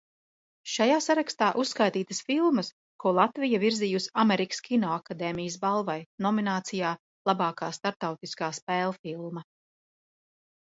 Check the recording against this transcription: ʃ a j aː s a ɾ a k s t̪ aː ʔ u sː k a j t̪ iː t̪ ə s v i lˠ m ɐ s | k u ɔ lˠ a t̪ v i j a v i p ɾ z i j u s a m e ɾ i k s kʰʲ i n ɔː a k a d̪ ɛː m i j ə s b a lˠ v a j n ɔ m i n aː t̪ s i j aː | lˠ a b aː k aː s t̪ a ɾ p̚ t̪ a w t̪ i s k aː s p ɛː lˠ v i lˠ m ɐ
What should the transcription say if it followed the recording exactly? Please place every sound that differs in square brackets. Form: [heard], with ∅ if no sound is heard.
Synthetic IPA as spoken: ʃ a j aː s a ɾ a k s t̪ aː ʔ u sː k a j t̪ iː t̪ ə s [f] i lˠ m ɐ s | k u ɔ lˠ a t̪ v i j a v i [∅] ɾ z i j u s a m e ɾ i k s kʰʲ i n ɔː a k a d̪ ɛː m i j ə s b a lˠ v a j n ɔ m i n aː t̪ s i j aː | lˠ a b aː k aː s t̪ a ɾ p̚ t̪ a w t̪ i s k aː s p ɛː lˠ [f] i lˠ m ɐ